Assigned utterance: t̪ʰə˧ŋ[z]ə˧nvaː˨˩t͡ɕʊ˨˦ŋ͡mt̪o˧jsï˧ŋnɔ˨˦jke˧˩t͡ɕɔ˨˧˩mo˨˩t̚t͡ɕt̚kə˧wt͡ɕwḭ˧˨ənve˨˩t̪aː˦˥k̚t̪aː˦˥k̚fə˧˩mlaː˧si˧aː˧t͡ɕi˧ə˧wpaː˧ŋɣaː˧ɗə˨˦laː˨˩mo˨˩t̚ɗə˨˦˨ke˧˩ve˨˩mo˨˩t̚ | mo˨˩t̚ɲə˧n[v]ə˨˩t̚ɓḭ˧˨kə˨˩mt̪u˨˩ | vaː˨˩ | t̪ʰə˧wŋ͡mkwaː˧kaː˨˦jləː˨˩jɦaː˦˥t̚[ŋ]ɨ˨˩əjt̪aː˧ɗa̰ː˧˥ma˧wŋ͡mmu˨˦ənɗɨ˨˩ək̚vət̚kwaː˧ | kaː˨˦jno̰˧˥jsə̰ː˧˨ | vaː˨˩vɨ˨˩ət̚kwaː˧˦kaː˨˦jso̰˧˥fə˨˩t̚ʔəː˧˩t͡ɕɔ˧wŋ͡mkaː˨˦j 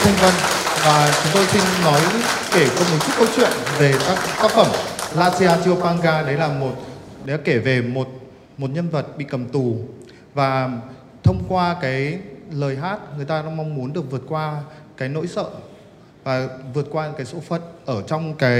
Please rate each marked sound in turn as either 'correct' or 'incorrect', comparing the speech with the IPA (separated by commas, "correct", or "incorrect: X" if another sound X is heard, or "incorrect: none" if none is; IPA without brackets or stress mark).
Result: incorrect: v, correct, correct